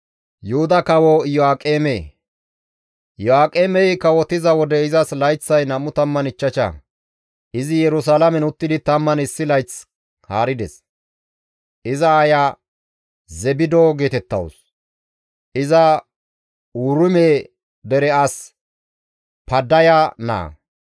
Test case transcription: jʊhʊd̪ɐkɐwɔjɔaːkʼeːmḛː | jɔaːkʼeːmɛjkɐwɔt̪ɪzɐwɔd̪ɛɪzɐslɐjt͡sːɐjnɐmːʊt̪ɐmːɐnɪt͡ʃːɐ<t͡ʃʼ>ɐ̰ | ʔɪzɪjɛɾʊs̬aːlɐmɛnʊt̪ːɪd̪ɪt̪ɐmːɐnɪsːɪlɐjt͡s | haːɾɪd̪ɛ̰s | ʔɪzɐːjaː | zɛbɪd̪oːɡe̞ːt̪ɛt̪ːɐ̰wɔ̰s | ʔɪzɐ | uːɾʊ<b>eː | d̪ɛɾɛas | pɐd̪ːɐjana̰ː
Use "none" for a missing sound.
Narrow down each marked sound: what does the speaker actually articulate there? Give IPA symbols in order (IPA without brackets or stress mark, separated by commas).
t͡ʃ, m